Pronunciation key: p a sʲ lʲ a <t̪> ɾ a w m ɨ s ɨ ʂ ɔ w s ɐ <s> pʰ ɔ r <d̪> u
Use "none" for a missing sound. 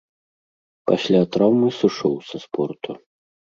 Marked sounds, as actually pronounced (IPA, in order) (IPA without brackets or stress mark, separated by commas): t̪, s, t̪